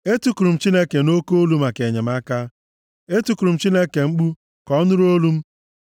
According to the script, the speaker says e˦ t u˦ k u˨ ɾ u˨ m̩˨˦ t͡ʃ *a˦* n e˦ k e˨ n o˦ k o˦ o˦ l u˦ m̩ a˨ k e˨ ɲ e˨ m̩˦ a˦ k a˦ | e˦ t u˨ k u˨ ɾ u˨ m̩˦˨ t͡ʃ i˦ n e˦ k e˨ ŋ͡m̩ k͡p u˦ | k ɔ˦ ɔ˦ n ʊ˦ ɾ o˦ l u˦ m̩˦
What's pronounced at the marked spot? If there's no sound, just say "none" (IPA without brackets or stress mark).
i˦